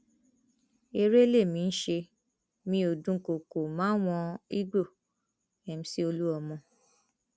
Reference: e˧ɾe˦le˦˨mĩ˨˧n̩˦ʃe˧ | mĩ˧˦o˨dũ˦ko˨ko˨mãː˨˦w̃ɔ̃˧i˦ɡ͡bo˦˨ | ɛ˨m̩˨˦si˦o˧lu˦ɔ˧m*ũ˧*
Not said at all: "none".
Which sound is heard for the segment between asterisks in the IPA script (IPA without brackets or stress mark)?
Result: ɔ̃˧